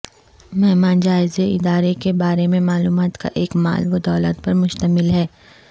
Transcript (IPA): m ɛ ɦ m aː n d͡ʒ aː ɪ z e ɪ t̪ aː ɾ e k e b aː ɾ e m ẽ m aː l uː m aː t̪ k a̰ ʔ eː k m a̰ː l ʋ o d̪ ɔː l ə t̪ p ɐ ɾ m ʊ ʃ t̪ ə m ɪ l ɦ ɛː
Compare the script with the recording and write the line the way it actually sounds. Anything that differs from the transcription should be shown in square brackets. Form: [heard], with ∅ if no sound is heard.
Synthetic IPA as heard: m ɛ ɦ m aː n d͡ʒ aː ɪ z e ɪ [d̪] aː ɾ e k e b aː ɾ e m ẽ m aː l uː m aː t̪ k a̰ ʔ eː k m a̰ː l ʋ o d̪ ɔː l ə t̪ p ɐ ɾ m ʊ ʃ t̪ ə m ɪ l ɦ ɛː